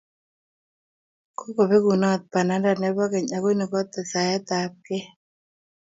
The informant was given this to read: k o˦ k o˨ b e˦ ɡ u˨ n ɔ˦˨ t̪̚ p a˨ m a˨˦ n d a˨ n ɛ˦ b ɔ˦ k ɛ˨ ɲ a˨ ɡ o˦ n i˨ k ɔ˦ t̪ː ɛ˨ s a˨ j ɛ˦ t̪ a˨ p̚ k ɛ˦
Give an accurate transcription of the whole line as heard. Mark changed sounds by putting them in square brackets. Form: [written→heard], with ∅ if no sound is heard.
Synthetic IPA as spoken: k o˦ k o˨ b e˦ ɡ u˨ n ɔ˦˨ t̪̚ p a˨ [m→n] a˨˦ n d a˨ n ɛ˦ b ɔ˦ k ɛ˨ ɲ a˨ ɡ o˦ n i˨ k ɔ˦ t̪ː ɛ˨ s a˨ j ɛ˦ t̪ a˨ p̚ k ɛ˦